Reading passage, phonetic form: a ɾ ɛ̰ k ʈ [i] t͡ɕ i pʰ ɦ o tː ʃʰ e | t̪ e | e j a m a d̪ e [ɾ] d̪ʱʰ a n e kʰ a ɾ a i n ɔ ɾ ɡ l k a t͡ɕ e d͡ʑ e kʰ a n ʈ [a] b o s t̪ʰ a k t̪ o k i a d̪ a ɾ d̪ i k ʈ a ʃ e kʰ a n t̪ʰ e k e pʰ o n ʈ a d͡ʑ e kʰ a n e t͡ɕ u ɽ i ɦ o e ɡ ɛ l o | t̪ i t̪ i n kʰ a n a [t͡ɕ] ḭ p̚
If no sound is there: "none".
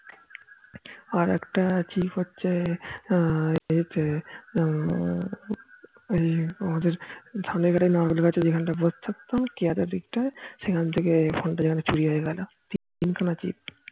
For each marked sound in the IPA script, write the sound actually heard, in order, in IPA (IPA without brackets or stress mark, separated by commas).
a, ɾ, a, t͡ɕ